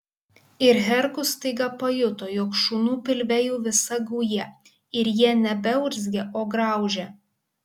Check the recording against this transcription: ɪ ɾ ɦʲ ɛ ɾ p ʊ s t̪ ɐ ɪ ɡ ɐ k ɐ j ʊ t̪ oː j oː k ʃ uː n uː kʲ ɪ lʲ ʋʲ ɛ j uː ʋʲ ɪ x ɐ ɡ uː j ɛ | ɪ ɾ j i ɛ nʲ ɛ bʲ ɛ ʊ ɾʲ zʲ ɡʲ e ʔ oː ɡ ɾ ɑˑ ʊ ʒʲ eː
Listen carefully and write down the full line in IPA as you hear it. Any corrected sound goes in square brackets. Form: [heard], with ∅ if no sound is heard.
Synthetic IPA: ɪ ɾ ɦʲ ɛ ɾ [k] ʊ s t̪ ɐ ɪ ɡ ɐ [p] ɐ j ʊ t̪ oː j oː k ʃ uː n uː [pʲ] ɪ lʲ ʋʲ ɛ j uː ʋʲ ɪ [s] ɐ ɡ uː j ɛ | ɪ ɾ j i ɛ nʲ ɛ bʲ ɛ ʊ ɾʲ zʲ ɡʲ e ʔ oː ɡ ɾ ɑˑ ʊ ʒʲ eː